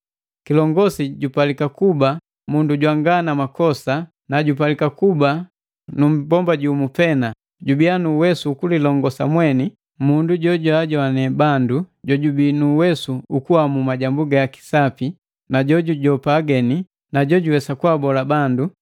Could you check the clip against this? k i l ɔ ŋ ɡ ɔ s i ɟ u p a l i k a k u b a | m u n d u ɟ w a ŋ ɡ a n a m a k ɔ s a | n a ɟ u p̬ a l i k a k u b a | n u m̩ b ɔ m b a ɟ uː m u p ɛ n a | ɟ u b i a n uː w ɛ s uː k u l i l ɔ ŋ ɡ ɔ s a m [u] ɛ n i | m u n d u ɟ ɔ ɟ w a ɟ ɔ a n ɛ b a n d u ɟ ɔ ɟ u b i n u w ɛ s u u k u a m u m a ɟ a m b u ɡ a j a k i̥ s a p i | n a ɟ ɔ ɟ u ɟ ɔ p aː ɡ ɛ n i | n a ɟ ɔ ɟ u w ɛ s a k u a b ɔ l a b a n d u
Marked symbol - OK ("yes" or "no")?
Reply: no